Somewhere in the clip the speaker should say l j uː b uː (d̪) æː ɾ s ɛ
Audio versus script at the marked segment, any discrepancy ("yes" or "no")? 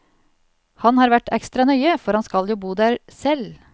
no